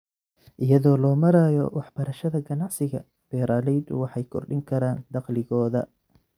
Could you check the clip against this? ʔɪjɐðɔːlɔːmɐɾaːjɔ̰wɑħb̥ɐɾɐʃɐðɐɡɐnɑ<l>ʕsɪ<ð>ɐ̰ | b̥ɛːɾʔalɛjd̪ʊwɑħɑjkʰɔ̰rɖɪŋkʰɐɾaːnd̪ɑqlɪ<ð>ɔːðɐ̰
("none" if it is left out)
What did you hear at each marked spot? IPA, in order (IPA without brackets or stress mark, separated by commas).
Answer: none, ɣ, ɣ